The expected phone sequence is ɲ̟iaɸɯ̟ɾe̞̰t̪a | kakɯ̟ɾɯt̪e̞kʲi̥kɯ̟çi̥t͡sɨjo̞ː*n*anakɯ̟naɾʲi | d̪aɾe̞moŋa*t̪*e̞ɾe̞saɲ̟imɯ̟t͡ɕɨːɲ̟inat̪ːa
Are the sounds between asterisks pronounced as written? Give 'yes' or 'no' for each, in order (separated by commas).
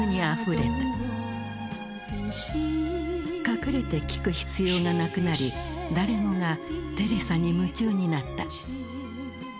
no, yes